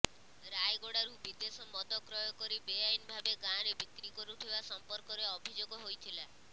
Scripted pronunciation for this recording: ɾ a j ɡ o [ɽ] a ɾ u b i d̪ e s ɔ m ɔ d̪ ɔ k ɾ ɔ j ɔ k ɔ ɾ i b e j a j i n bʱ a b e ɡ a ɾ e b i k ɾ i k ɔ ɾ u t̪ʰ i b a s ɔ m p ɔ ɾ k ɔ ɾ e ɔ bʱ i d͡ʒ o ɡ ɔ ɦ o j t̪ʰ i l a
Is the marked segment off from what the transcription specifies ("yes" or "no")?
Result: no